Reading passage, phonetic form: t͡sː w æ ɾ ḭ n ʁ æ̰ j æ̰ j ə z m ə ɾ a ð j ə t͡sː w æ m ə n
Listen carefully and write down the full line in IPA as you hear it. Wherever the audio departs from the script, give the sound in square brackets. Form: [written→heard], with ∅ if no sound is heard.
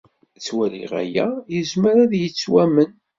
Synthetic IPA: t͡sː w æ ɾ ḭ [n→∅] ʁ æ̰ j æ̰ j ə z m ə ɾ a ð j ə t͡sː w æ m ə n

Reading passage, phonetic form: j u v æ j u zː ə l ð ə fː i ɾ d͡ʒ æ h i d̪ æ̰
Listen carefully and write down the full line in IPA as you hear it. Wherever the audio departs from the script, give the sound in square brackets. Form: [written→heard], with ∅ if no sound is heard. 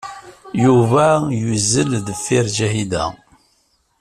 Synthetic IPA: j u v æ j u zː ə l ð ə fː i ɾ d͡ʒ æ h i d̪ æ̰

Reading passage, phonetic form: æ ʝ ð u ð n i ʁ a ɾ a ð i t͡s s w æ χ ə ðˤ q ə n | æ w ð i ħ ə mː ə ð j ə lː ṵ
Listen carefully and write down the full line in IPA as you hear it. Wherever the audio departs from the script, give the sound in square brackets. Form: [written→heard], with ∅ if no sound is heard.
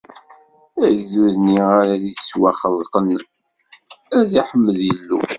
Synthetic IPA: æ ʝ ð u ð n i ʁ a ɾ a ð i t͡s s w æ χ ə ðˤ q ə n | æ [w→∅] ð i ħ ə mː ə ð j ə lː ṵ

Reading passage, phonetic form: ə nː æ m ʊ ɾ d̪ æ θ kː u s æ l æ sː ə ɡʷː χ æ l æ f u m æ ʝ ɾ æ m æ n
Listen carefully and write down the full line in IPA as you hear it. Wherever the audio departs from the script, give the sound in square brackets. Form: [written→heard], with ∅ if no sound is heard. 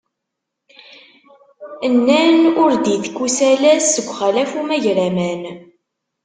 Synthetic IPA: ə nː æ [m→n] ʊ ɾ d̪ [æ→i] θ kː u s æ l æ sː ə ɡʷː χ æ l æ f u m æ ʝ ɾ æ m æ n

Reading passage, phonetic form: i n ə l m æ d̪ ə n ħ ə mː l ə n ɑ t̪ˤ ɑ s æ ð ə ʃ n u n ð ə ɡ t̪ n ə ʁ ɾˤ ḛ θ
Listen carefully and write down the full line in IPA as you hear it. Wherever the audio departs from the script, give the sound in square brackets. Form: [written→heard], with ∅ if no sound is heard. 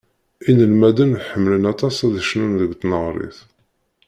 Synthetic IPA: i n ə l m æ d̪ ə n ħ ə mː l ə n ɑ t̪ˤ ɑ s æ ð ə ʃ n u n ð ə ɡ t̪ n ə ʁ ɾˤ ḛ θ

